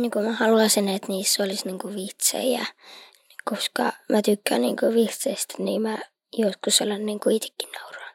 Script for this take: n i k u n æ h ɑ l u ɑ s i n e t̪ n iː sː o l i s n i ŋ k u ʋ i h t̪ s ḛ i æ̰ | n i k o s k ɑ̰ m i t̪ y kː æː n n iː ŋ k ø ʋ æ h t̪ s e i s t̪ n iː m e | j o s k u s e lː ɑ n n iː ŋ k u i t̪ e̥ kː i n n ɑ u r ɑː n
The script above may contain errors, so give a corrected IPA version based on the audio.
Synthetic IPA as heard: n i k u m æ h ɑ l u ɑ s i n e t̪ n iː sː o l i s n i ŋ k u ʋ i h t̪ s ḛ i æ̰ | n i k o s k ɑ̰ m æ t̪ y kː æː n n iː ŋ k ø ʋ i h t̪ s e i s t̪ n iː m æ | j o s k u s e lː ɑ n n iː ŋ k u i t̪ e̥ kː i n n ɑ u r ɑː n